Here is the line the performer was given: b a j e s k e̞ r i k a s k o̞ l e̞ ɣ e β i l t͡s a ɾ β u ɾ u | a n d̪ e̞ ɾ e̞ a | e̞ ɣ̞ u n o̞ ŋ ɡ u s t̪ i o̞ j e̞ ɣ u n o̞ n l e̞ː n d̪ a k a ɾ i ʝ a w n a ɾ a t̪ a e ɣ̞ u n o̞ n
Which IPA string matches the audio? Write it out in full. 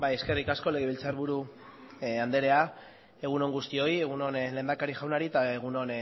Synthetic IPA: b a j e s k e̞ r i k a s k o̞ l e̞ ɣ e β i l t͡s a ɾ β u ɾ u | a n d̪ e̞ ɾ e̞ a | e̞ ɣ̞ u n o̞ ŋ ɡ u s t̪ i o̞ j e̞ ɣ u n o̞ n l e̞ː n d̪ a k a ɾ i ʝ a w n a ɾ i t̪ a e ɣ̞ u n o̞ n